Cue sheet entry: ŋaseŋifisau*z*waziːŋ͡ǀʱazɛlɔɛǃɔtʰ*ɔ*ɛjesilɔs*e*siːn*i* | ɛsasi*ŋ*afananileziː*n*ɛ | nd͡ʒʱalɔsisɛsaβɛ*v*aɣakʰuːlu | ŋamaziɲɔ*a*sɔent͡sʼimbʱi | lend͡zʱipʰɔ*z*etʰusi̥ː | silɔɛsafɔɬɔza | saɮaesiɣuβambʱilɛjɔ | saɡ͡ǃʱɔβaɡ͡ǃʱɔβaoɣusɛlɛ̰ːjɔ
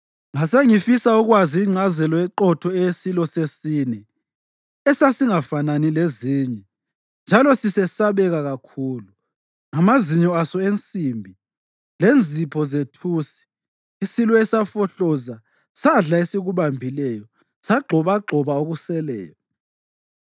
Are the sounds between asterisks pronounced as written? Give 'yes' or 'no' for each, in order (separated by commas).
no, yes, yes, no, yes, no, no, yes, yes